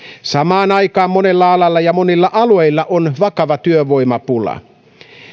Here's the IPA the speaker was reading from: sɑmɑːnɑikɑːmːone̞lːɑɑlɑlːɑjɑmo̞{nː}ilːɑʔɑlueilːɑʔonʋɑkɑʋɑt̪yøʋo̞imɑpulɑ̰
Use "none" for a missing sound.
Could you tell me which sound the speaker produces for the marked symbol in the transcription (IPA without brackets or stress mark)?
n